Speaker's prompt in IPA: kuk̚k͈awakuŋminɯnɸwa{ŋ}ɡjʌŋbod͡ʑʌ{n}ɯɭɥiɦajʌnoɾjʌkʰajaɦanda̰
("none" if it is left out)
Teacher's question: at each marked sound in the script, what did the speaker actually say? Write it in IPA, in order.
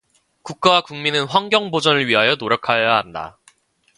ŋ, n

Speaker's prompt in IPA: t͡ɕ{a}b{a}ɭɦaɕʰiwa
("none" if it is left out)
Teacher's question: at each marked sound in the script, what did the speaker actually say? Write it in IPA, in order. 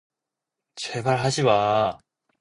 e, a

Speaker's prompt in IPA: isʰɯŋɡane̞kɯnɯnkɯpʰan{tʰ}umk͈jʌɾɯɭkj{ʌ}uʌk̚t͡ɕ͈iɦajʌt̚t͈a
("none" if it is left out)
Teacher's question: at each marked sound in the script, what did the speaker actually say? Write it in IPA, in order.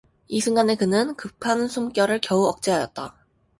sʰ, ʌ

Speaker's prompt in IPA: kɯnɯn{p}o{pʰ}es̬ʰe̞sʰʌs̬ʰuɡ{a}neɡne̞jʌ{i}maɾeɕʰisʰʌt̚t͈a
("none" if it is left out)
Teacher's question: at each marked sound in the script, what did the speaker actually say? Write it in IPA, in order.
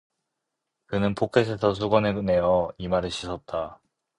pʰ, kʰ, ʌ, i

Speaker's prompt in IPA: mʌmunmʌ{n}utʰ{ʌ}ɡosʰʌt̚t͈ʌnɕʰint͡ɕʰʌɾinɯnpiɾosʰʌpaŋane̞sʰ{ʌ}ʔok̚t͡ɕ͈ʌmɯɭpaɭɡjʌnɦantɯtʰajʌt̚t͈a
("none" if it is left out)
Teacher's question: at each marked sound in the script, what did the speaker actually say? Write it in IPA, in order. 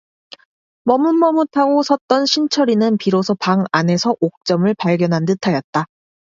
m, a, ʌ

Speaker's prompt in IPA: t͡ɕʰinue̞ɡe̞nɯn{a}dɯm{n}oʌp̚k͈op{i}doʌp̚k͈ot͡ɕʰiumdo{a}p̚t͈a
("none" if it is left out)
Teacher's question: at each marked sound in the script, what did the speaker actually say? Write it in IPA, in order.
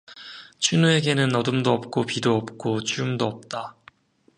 ʌ, d, i, ʌ

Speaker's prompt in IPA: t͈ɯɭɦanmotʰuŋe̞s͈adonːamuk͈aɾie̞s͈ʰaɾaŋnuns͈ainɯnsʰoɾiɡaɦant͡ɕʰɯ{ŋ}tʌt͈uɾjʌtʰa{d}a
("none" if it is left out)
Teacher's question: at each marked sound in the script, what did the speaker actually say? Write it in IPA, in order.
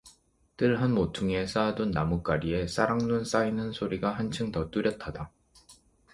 ŋ, d

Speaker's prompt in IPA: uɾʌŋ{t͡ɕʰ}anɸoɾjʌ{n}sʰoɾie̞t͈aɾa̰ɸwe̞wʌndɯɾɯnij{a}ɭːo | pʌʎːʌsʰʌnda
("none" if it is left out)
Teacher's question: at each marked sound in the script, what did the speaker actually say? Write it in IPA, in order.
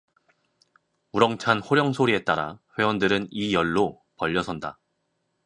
t͡ɕʰ, ŋ, ʌ

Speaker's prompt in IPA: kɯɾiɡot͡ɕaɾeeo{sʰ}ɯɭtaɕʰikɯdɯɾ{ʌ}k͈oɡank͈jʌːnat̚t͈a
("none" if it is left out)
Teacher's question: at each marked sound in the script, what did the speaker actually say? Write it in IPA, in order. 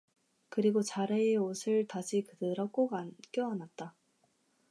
sʰ, ʌ

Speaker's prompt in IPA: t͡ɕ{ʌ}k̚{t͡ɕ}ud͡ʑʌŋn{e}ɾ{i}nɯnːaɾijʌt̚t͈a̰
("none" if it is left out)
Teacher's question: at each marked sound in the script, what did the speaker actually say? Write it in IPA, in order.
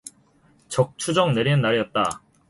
ʌ, t͡ɕʰ, e, i

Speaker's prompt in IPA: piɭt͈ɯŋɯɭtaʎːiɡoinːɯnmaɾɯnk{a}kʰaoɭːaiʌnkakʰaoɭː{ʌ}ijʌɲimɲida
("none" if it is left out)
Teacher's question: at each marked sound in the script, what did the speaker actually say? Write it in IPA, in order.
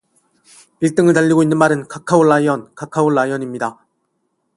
a, a

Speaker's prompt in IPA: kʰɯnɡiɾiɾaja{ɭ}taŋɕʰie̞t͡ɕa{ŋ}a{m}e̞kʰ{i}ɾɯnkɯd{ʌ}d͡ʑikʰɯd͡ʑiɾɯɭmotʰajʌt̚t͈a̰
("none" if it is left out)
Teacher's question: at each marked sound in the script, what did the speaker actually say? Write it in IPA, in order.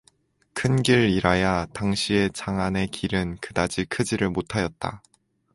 none, ŋ, n, i, a

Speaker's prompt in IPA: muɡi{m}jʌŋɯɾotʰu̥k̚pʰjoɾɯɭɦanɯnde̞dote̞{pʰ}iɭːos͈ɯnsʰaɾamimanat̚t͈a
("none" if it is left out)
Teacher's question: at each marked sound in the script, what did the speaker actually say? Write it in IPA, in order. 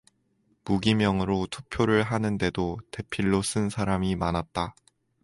m, pʰ

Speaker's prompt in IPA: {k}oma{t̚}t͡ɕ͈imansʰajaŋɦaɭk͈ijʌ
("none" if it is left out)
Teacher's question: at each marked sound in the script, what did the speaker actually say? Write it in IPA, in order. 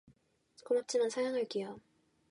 k, p̚

